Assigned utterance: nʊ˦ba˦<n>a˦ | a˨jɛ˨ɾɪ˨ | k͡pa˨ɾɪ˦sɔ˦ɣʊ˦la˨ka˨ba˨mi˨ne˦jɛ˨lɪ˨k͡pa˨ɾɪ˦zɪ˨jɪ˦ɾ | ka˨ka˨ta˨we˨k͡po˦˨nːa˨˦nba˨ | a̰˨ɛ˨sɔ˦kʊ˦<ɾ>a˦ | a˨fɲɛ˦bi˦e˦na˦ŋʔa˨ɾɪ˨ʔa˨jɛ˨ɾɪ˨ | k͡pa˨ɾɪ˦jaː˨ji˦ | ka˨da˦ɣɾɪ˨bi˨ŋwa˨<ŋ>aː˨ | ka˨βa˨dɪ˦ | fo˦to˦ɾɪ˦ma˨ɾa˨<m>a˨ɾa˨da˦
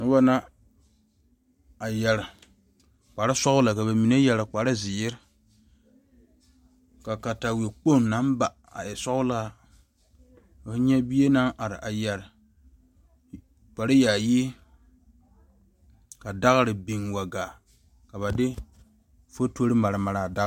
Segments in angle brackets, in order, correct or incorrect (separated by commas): correct, incorrect, incorrect, correct